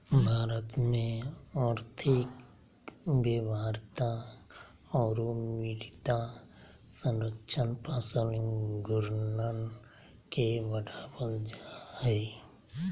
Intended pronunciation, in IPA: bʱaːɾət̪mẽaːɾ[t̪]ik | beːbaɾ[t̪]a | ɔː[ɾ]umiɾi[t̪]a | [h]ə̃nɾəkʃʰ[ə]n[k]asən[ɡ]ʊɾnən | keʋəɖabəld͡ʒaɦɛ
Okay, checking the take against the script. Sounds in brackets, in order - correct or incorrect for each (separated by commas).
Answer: incorrect, correct, correct, correct, incorrect, correct, incorrect, correct